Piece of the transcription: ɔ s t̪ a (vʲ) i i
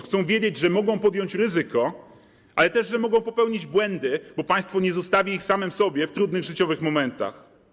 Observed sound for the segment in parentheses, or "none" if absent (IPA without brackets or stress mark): vʲ